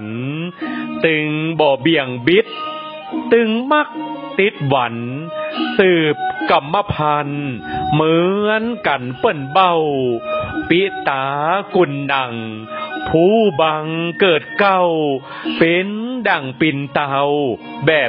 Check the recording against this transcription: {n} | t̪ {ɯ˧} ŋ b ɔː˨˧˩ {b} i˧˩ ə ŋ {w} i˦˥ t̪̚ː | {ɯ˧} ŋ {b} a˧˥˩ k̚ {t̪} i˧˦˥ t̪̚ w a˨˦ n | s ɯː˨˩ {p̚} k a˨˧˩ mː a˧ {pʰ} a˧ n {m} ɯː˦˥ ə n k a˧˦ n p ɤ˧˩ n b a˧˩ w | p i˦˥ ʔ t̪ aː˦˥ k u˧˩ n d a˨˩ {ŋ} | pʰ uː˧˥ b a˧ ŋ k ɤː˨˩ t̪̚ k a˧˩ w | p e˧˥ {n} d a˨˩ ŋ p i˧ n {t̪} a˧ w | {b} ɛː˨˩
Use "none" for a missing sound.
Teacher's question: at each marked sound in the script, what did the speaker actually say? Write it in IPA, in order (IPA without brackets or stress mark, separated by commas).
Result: n, ɯ˧, b, b, ɯ˧, m, t̪, p̚, pʰ, m, ŋ, n, t̪, b